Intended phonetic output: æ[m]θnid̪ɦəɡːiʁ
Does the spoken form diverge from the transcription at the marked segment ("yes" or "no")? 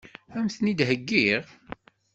no